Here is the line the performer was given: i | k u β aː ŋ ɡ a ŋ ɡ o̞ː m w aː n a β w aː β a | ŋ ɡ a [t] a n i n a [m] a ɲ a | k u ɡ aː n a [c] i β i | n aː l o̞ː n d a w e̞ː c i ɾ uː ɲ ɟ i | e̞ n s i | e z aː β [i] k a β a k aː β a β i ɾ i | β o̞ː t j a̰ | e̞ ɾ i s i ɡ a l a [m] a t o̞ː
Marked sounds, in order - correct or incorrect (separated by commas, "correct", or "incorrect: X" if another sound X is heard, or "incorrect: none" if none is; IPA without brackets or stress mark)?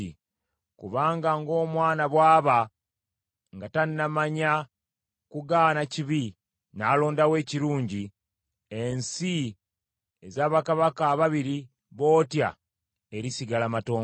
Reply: correct, correct, correct, incorrect: a, correct